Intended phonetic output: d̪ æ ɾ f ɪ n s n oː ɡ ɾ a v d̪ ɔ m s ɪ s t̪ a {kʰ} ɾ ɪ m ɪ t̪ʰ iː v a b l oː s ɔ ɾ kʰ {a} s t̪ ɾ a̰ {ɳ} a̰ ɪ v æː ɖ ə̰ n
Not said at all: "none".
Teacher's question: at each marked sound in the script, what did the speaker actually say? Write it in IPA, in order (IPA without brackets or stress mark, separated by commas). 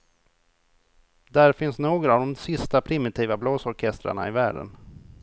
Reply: pʰ, ɛ, ɳ